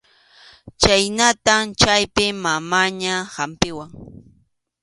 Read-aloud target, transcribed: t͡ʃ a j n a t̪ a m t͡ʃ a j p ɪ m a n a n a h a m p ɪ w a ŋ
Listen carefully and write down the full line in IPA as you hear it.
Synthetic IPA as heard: t͡ʃ a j n a t̪ a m t͡ʃ a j p ɪ m a m a ɲ a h a m p ɪ w a ŋ